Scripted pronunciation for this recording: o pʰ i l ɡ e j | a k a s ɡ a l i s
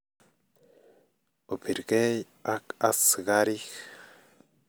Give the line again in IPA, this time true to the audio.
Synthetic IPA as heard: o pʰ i ɾ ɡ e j | a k a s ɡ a ɾ i x